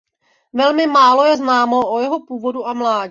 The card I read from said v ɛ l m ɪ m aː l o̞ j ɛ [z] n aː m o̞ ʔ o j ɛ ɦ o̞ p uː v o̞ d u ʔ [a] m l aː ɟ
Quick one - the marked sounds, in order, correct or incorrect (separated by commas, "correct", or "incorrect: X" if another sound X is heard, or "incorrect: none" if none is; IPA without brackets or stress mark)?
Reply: correct, correct